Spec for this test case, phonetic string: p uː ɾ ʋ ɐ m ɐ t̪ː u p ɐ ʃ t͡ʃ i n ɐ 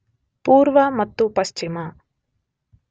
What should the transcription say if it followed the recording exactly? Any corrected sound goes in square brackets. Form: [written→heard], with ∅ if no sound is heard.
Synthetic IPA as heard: p uː ɾ ʋ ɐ m ɐ t̪ː u p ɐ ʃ t͡ʃ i [n→m] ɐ